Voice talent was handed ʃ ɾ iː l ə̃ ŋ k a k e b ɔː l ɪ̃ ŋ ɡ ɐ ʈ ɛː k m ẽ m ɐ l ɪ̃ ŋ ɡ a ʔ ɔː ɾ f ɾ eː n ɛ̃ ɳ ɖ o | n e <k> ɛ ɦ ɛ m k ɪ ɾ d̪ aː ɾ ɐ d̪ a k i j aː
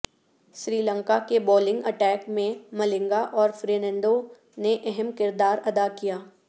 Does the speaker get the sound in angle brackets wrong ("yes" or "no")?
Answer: yes